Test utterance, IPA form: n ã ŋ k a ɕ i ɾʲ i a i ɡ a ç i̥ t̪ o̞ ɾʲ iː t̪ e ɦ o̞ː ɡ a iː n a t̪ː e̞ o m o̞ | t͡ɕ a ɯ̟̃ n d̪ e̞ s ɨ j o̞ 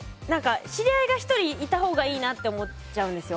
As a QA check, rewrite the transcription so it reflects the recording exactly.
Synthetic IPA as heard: n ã ŋ k a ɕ i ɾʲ i a i ɡ a ç i̥ t̪ o̞ ɾʲ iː t̪ a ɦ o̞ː ɡ a iː n a t̪ː e̞ o m o̞ | t͡ɕ a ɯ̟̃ n d̪ e̞ s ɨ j o̞

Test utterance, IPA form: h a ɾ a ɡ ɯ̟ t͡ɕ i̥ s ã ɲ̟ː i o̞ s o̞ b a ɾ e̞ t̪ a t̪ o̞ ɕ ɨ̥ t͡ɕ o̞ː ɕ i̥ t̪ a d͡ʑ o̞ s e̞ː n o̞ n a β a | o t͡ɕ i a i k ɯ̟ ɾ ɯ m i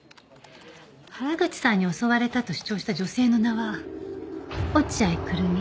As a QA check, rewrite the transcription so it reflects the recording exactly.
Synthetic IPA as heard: h a ɾ a ɡ ɯ̟ t͡ɕ i̥ s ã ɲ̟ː i o̞ s o̞ β a ɾ e̞ t̪ a t̪ o̞ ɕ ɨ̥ t͡ɕ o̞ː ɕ i̥ t̪ a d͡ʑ o̞ s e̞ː n o̞ n a β a | o t͡ɕ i a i k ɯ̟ ɾ ɯ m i

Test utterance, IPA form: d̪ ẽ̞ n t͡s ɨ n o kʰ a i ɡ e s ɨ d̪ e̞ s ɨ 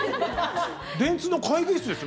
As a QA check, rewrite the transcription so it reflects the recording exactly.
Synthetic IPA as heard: d̪ ẽ̞ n t͡s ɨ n o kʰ a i ɡ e s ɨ d̪ e̞ s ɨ

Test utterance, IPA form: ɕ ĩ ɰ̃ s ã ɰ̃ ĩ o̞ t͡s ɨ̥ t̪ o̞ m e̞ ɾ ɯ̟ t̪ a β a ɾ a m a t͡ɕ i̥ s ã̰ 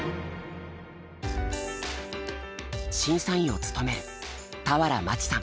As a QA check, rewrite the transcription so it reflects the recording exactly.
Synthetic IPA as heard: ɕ ĩ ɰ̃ s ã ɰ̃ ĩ o̞ t͡s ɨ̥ t̪ o̞ m e̞ ɾ ɯ̟ t̪ a β a ɾ a m a t͡ɕ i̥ s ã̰

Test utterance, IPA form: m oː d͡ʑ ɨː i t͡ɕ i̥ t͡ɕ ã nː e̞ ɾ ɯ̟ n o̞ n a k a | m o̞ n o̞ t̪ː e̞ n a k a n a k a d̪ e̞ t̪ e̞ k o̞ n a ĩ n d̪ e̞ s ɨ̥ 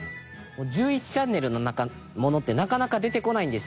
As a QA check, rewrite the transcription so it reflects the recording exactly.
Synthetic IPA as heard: m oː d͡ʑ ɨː i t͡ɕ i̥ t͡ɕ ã nː e̞ ɾ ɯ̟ n o̞ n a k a | m o̞ n o̞ t̪ː e̞ n a k a n a k a d̪ e̞ t̪ e̞ k o̞ n a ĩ n d̪ e̞ s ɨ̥

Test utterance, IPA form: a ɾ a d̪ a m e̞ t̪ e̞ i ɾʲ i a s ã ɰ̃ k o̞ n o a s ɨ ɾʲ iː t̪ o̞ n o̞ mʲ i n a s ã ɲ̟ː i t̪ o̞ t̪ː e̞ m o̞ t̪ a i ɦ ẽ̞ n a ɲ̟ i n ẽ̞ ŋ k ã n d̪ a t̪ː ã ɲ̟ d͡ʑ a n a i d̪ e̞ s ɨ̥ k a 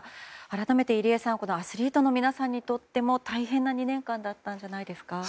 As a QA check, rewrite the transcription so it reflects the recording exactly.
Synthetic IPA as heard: a ɾ a t̪ a m e̞ t̪ e̞ i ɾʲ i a s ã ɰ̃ k o̞ n o a s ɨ ɾʲ iː t̪ o̞ n o̞ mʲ i n a s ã ɲ̟ː i t̪ o̞ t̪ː e̞ m o̞ t̪ a i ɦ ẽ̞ nː a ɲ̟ i n ẽ̞ ŋ k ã n d̪ a t̪ː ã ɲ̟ d͡ʑ a n a i d̪ e̞ s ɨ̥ k a

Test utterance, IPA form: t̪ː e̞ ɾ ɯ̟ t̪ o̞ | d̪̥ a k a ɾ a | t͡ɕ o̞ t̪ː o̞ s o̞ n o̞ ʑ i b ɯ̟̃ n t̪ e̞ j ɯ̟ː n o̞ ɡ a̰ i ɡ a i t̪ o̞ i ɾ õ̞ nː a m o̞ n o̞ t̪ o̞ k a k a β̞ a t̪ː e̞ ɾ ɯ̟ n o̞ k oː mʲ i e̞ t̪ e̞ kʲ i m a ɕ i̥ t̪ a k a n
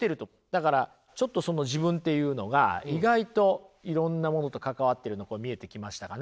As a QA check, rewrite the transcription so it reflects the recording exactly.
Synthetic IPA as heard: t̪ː e̞ ɾ ɯ̟ t̪ o̞ | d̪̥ a k a ɾ a | t͡ɕ o̞ t̪ː o̞ s o̞ n o̞ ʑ i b ɯ̟̃ n t̪ e̞ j ɯ̟ː n o̞ ɡ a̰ i ɡ a i t̪ o̞ i ɾ õ̞ nː a m o̞ n o̞ t̪ o̞ k a k a β̞ a t̪ː e̞ ɾ ɯ̟ n o̞ k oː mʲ i e̞ t̪ e̞ kʲ i m a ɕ i̥ t̪ a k a n

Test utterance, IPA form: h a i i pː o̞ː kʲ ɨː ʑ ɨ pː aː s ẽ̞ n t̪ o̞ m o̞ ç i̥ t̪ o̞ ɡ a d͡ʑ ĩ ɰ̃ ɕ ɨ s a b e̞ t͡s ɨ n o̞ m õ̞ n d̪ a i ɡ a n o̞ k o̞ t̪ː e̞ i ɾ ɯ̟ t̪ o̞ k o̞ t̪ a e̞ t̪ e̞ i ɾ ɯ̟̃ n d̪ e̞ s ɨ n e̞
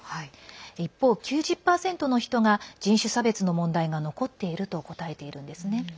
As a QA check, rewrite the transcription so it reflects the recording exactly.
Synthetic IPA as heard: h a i i pː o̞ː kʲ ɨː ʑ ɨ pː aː s ẽ̞ n t̪ o̞ n o̞ ç i̥ t̪ o̞ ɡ a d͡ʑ ĩ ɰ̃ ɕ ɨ s a b e̞ t͡s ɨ n o̞ m õ̞ n d̪ a i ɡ a n o̞ k o̞ t̪ː e̞ i ɾ ɯ̟ t̪ o̞ k o̞ t̪ a e̞ t̪ e̞ i ɾ ɯ̟̃ n d̪ e̞ s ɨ n e̞

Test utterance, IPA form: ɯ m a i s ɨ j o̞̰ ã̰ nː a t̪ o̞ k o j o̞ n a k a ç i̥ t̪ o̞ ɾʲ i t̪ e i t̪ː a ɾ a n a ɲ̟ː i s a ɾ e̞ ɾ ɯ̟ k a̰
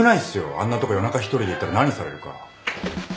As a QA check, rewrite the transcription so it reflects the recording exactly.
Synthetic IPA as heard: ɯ n a i s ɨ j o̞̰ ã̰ nː a t̪ o̞ k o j o̞ n a k a ç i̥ t̪ o̞ ɾʲ i d̪ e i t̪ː a ɾ a n a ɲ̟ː i s a ɾ e̞ ɾ ɯ̟ k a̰

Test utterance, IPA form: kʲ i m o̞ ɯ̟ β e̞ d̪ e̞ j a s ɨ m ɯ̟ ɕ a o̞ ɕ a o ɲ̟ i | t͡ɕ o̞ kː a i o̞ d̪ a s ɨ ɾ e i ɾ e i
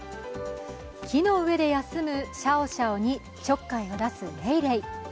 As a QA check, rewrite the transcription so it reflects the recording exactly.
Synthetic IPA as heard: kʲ i n o̞ ɯ̟ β e̞ d̪ e̞ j a s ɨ m ɯ̟ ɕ a o̞ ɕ a o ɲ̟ i | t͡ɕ o̞ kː a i o̞ d̪ a s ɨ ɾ e i ɾ e i

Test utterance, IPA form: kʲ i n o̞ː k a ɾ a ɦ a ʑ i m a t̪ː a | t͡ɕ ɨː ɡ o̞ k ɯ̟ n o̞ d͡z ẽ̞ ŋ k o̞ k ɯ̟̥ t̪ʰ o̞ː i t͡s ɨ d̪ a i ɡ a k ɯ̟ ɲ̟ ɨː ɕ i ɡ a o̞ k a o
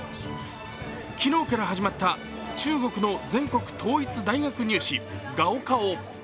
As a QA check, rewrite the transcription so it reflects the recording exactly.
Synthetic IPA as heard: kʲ i n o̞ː k a ɾ a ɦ a ʑ i m a t̪ː a | t͡ɕ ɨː ɡ o̞ k ɯ̟ n o̞ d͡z ẽ̞ ŋ k o̞ k ɯ̟̥ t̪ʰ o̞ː i t͡s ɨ d̪ a i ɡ a k ɯ̟ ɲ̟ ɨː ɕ i ɡ a o̞ k a o

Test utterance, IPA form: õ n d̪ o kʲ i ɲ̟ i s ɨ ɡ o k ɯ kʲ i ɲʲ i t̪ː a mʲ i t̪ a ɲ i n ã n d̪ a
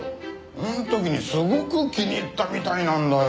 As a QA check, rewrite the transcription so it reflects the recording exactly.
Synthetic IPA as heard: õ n t̪ o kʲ i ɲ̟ i s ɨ ɡ o k ɯ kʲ i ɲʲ i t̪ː a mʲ i t̪ a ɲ i n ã n d̪ a

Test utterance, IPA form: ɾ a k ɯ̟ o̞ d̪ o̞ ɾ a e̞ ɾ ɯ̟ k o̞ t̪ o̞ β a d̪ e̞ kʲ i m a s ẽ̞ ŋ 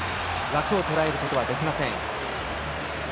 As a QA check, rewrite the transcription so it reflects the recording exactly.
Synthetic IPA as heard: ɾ a k ɯ̟ o̞ t̪ o̞ ɾ a e̞ ɾ ɯ̟ k o̞ t̪ o̞ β a d̪ e̞ kʲ i m a s ẽ̞ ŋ

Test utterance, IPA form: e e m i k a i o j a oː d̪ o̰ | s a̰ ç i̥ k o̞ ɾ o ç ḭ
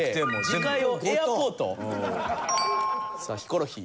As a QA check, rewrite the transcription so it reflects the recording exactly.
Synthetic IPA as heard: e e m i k a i o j a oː t̪ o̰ | s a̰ ç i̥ k o̞ ɾ o ç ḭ

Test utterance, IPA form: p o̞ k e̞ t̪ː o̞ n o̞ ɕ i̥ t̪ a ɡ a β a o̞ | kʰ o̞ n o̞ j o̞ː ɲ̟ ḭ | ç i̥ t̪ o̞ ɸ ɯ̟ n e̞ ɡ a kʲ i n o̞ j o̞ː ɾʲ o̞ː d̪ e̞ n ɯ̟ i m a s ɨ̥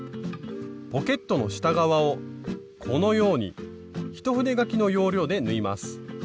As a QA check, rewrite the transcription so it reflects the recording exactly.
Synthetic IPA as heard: p o̞ k e̞ t̪ː o̞ n o̞ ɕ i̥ t̪ a ɡ a β a o̞ | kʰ o̞ n o̞ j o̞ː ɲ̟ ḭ | ç i̥ t̪ o̞ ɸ ɯ̟ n e̞ ɡ a kʲ i n o̞ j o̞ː ɾʲ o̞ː d̪ e̞ n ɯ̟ i m a s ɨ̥

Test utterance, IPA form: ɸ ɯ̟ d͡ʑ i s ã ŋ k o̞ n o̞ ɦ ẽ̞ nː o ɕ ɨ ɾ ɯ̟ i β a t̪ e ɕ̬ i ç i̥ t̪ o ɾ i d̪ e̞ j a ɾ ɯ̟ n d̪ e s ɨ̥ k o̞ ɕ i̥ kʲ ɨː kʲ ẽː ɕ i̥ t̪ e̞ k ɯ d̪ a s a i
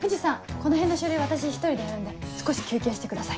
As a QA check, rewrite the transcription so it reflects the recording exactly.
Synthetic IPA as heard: ɸ ɯ̟ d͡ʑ i s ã ŋ k o̞ n o̞ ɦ ẽ̞ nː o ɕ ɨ ɾ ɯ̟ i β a t̪ a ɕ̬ i ç i̥ t̪ o ɾ i d̪ e̞ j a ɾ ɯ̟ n d̪ e s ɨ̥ k o̞ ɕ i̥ kʲ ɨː kʲ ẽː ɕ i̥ t̪ e̞ k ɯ d̪ a s a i

